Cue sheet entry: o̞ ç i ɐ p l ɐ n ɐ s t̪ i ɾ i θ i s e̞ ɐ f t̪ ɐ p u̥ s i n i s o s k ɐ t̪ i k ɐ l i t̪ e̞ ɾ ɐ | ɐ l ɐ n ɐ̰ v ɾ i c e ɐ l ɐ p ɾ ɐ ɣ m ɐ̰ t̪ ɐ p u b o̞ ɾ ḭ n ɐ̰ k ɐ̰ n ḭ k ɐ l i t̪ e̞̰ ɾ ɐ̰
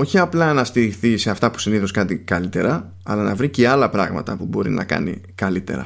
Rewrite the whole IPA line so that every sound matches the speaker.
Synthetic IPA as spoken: o̞ ç i ɐ p l ɐ n ɐ s t̪ i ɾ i θ i s e̞ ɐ f t̪ ɐ p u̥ s i n i θ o s k ɐ t̪ i k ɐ l i t̪ e̞ ɾ ɐ | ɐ l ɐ n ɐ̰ v ɾ i c e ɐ l ɐ p ɾ ɐ ɣ m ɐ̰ t̪ ɐ p u b o̞ ɾ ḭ n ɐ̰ k ɐ̰ n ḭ k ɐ l i t̪ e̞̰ ɾ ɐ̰